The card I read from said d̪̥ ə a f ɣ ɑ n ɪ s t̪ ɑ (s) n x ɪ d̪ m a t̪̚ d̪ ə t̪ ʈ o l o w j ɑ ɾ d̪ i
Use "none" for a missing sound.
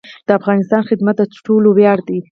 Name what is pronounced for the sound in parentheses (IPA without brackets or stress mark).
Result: none